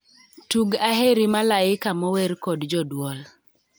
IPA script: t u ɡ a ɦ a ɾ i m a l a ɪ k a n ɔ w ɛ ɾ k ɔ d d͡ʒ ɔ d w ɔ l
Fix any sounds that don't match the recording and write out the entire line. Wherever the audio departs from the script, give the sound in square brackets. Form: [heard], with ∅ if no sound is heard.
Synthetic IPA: t u ɡ a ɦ [e] ɾ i m a l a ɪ k a [m] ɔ w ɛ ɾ k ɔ d d͡ʒ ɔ d w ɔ l